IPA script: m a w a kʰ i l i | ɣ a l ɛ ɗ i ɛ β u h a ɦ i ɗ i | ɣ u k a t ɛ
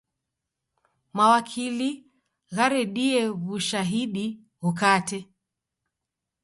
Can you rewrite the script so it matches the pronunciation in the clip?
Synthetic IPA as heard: m a w a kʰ i l i | ɣ a ɾ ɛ ɗ i ɛ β u ʃ a ɦ i ɗ i | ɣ u k a t ɛ